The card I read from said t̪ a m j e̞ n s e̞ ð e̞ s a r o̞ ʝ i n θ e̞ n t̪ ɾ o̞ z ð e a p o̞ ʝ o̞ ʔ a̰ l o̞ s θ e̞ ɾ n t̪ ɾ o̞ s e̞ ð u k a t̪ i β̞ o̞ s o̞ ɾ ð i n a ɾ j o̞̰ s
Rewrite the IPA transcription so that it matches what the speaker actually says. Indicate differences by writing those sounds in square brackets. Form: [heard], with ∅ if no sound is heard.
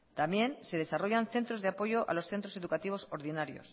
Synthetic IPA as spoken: t̪ a m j e̞ n s e̞ ð e̞ s a r o̞ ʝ [a] n θ e̞ n t̪ ɾ o̞ z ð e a p o̞ ʝ o̞ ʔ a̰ l o̞ s θ e̞ [∅] n t̪ ɾ o̞ s e̞ ð u k a t̪ i β̞ o̞ s o̞ ɾ ð i n a ɾ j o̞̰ s